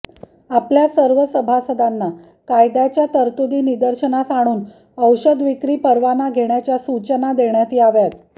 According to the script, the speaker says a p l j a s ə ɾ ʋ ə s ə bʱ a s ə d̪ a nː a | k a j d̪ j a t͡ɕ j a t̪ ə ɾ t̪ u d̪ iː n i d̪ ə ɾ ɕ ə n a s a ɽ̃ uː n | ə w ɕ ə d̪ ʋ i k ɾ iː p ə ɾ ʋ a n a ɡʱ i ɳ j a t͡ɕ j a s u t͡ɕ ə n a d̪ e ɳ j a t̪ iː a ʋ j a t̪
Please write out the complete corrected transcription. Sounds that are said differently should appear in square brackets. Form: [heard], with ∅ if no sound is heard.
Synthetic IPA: a p l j a s ə ɾ ʋ ə s ə bʱ a s ə d̪ a nː a | k a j d̪ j a t͡ɕ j a t̪ ə ɾ t̪ u d̪ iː n i d̪ ə ɾ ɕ ə n a s a ɽ̃ uː n | ə w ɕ ə d̪ ʋ i k ɾ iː p ə ɾ ʋ a n a ɡʱ [e] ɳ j a t͡ɕ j a s u t͡ɕ ə n a d̪ e ɳ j a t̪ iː a ʋ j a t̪